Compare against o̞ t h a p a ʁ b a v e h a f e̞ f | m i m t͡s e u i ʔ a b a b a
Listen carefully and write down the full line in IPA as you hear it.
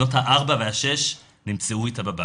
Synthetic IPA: o̞ t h a ʔ a ʁ b a v e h a ʃ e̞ ʃ | n i m t͡s e u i t a b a b a